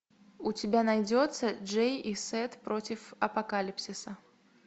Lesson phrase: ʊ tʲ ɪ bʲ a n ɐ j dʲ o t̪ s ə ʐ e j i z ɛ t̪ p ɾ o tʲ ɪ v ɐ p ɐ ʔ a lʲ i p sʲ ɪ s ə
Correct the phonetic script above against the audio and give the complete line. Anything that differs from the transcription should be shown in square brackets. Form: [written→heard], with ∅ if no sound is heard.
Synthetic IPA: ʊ tʲ ɪ bʲ a n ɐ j dʲ o t̪ s ə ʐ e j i [z→s] ɛ t̪ p ɾ o tʲ ɪ [v→f] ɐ p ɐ [ʔ→k] a lʲ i p sʲ ɪ s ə